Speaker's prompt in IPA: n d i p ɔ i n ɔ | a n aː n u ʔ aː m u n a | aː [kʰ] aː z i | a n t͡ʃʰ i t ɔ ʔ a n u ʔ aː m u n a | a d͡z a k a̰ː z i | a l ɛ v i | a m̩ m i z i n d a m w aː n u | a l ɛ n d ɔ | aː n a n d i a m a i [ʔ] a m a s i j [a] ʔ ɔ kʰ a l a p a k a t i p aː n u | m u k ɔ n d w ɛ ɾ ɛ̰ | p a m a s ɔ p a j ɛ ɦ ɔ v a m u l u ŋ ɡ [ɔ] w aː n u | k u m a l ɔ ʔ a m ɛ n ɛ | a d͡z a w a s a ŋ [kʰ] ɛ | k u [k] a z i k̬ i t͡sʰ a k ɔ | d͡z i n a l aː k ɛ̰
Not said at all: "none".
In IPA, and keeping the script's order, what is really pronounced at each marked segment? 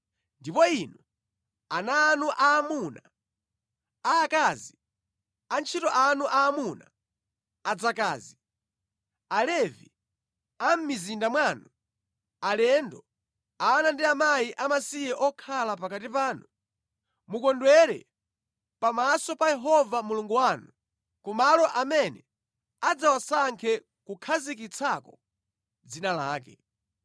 k, ʔ, ɛ, u, kʰ, kʰ

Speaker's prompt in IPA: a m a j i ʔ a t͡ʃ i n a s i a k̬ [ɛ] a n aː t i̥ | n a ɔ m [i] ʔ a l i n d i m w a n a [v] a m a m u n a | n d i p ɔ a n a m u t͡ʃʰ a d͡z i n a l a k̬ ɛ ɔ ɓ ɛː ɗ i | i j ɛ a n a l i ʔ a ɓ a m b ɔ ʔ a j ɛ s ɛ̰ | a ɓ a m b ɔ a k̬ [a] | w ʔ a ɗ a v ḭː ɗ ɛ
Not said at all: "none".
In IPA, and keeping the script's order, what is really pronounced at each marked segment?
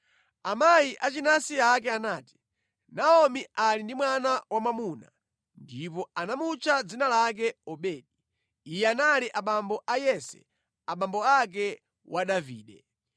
ɛ, i, w, ɛ

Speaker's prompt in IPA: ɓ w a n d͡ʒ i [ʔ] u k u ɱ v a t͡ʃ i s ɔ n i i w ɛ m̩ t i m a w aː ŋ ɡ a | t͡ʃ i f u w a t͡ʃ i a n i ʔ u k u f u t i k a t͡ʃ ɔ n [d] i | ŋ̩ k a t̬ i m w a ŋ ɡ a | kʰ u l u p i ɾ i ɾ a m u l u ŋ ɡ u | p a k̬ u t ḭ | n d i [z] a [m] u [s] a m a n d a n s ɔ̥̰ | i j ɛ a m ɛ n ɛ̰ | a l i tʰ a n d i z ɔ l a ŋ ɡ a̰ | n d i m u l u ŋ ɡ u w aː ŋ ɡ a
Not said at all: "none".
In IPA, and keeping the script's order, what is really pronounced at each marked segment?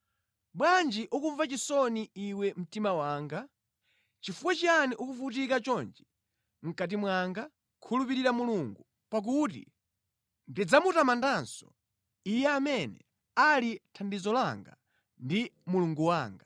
ʔ, d͡ʒ, d͡z, m, t

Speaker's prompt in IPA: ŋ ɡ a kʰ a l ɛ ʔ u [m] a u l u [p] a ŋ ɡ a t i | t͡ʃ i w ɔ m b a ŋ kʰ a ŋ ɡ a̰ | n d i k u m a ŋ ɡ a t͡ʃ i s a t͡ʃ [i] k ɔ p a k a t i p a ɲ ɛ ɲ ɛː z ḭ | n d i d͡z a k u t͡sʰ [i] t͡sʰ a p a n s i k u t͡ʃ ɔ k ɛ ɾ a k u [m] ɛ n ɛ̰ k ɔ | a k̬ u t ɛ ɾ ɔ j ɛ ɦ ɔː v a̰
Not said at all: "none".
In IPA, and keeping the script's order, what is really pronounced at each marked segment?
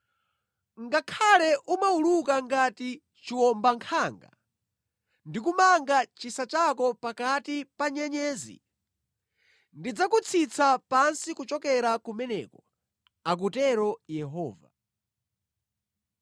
m, k, a, i, m

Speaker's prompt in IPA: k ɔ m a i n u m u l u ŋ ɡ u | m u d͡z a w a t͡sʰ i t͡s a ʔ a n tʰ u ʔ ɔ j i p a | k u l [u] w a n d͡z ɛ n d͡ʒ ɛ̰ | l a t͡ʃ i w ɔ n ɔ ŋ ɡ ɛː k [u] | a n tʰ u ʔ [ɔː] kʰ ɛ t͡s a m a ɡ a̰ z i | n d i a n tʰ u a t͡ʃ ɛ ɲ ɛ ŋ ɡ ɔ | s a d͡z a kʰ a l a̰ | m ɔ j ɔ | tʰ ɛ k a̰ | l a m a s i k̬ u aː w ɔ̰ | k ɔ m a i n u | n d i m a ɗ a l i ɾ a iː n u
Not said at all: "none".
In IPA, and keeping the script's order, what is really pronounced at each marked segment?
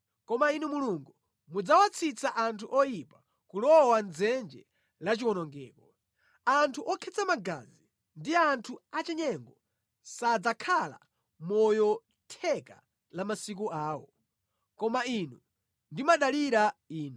ɔ, ɔ, ɔ

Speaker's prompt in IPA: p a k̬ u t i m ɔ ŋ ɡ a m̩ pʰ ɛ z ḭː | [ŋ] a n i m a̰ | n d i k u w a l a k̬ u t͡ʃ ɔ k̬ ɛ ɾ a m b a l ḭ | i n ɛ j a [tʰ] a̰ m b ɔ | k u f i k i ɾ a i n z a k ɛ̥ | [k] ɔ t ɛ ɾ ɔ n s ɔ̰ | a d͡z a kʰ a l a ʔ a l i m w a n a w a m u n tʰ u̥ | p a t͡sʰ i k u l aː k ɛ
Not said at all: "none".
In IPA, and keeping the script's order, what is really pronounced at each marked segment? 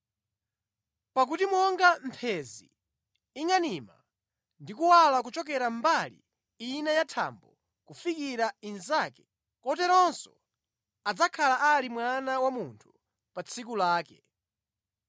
ŋ, tʰ, k

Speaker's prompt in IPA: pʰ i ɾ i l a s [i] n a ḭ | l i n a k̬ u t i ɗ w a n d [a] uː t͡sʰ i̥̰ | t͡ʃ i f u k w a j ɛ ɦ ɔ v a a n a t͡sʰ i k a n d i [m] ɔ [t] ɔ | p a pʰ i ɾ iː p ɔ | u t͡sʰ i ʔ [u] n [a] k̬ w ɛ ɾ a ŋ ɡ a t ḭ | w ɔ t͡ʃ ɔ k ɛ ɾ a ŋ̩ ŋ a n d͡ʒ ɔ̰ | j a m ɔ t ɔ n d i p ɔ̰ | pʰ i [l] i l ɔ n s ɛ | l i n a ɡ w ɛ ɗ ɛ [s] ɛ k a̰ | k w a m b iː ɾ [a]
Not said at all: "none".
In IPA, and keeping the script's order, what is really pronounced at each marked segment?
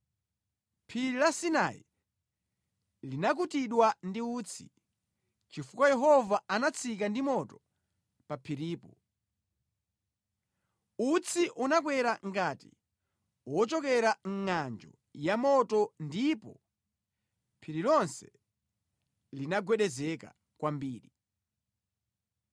i, i, m, t, u, a, ɾ, z, i

